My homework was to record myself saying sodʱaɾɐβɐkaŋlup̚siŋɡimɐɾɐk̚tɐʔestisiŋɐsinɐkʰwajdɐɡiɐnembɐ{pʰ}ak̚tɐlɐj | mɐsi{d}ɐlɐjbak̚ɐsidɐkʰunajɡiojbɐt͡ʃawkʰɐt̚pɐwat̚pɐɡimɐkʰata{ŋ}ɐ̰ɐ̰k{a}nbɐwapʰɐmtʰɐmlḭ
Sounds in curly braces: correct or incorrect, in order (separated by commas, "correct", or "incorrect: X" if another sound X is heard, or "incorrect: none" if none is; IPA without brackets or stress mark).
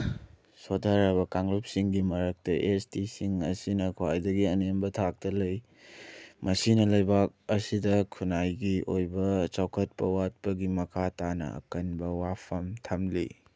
incorrect: tʰ, incorrect: n, incorrect: n, incorrect: ɐ